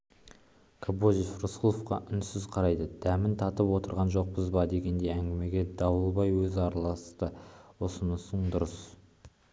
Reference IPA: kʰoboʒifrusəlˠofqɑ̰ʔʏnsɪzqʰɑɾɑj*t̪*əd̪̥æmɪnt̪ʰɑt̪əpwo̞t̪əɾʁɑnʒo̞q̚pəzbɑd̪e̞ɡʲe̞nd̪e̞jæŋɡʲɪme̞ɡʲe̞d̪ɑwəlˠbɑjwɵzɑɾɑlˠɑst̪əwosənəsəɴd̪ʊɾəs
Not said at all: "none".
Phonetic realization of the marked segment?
d̪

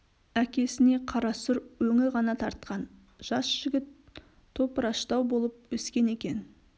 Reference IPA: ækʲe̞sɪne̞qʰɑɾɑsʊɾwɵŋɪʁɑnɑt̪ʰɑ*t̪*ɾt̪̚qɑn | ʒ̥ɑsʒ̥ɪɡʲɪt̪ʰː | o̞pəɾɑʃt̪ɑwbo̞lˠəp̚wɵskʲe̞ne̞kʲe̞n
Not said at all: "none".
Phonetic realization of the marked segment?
none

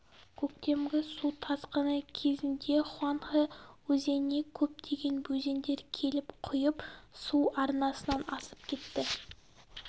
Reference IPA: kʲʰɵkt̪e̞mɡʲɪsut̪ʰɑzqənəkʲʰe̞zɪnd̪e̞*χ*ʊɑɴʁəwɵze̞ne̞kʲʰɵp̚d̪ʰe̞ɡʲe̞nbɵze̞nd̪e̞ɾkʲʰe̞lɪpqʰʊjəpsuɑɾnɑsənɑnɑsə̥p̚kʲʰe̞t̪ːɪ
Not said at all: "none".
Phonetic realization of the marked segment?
χ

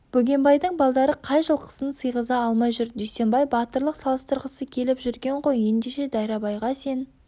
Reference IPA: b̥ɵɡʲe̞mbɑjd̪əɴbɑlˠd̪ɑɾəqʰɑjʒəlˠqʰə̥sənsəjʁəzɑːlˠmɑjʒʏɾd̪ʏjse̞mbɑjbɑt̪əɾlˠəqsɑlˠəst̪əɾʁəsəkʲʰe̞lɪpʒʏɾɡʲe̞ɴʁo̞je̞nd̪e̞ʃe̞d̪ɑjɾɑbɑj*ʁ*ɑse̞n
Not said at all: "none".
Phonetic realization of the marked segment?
ʁ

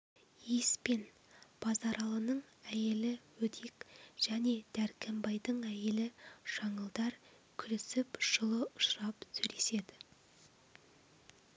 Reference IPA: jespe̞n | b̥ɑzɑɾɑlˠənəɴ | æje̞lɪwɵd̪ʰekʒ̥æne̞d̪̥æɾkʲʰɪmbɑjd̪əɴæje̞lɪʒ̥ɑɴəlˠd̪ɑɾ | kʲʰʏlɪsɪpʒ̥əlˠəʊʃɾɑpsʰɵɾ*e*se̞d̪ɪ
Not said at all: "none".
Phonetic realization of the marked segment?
e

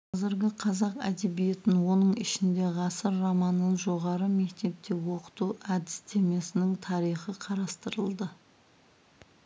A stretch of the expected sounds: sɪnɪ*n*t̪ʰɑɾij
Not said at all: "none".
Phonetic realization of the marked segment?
ŋ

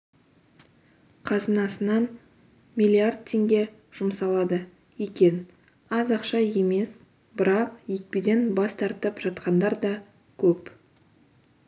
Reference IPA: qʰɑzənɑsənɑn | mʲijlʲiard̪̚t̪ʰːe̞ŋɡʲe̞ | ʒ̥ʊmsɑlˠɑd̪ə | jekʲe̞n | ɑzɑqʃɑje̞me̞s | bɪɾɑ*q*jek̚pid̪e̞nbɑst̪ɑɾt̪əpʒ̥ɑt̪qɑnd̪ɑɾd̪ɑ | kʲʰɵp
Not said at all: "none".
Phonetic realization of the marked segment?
q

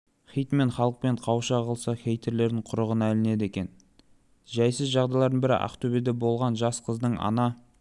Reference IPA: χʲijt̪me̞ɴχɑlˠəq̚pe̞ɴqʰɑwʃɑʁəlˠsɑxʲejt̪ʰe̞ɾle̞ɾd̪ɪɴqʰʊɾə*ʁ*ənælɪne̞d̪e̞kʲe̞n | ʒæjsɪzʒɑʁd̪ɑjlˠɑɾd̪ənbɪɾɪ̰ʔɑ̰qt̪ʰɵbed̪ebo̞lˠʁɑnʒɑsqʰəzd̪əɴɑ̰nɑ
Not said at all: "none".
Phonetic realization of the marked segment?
ʁ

